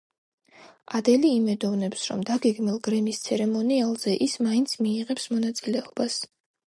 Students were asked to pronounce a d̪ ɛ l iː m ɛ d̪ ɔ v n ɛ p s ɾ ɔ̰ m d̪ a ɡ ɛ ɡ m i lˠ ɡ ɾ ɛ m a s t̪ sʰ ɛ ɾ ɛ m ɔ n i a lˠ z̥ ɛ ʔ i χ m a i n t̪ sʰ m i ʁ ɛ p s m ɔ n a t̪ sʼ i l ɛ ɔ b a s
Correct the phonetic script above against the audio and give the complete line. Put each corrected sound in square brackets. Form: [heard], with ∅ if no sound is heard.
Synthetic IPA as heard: a d̪ ɛ l iː m ɛ d̪ ɔ v n ɛ p s ɾ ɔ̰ m d̪ a ɡ ɛ ɡ m i lˠ ɡ ɾ ɛ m [i] s t̪ sʰ ɛ ɾ ɛ m ɔ n i a lˠ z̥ ɛ ʔ i [s] m a i n t̪ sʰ m [iː] ʁ ɛ p s m ɔ n a t̪ sʼ i l ɛ ɔ b a s